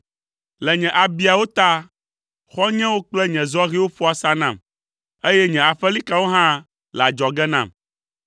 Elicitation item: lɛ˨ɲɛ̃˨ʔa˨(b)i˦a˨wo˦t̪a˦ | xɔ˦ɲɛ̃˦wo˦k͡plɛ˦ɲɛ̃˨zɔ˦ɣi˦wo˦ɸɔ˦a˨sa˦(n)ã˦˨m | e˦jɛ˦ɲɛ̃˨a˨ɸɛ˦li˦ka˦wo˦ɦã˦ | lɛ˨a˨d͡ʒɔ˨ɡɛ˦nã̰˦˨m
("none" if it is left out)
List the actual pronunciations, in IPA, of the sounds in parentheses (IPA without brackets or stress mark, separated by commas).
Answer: b, n